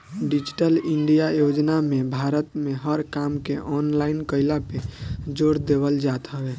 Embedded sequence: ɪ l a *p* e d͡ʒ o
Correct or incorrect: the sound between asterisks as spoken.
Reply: correct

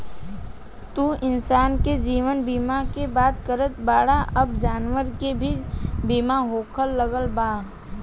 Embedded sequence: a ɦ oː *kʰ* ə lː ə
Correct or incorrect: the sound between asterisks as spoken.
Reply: correct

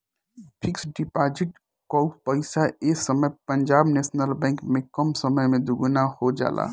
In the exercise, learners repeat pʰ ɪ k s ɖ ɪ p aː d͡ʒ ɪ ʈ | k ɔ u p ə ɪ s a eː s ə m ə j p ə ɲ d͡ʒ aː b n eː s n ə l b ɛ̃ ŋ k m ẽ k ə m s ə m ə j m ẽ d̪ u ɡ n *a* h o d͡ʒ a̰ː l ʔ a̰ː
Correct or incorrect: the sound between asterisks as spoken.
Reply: correct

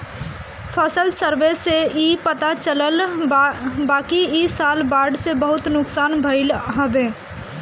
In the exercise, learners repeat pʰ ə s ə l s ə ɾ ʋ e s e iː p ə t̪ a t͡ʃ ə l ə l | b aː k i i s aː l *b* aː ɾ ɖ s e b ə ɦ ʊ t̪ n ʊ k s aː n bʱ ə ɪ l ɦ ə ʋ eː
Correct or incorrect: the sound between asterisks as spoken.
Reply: correct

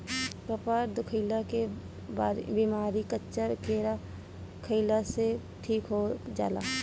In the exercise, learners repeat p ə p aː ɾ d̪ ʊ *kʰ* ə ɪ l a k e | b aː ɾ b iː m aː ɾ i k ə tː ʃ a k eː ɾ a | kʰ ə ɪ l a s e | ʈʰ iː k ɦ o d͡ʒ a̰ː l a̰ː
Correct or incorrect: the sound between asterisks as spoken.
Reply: correct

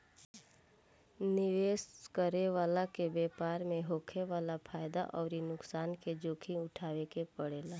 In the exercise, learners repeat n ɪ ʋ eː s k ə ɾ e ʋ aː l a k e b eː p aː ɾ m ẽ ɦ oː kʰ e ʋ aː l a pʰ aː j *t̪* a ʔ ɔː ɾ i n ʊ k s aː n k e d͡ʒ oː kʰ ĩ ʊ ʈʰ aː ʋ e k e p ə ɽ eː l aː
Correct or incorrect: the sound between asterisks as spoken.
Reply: incorrect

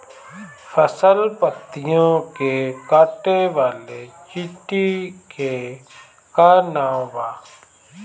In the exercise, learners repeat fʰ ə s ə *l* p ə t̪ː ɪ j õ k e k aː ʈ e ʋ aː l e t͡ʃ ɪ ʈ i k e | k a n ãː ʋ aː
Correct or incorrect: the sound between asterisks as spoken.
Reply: correct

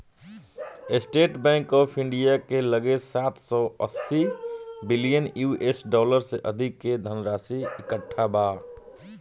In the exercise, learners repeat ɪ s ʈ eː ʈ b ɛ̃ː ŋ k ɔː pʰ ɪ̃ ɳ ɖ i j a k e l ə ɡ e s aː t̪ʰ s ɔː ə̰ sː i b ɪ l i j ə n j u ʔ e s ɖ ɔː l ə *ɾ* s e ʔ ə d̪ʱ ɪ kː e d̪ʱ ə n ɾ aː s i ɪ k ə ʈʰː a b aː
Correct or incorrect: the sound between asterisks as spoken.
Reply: correct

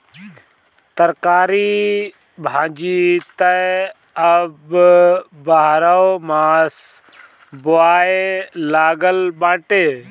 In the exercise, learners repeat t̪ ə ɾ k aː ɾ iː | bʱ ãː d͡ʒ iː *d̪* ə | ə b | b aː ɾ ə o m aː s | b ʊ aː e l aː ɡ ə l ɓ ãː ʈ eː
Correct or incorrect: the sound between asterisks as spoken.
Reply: incorrect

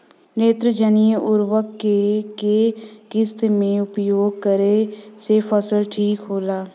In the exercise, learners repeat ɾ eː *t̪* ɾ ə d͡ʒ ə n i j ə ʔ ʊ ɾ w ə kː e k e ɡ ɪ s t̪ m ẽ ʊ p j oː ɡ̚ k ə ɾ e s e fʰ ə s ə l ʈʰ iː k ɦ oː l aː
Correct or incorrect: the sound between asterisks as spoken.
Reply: correct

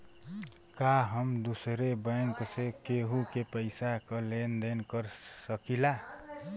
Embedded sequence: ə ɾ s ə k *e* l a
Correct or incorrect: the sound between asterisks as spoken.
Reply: incorrect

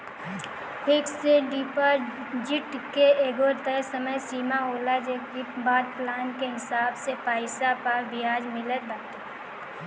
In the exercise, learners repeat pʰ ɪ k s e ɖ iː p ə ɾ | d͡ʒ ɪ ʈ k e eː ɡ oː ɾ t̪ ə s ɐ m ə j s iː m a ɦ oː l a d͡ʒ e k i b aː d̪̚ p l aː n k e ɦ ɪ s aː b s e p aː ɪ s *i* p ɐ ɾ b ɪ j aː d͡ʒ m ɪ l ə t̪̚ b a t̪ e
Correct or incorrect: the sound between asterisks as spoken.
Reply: incorrect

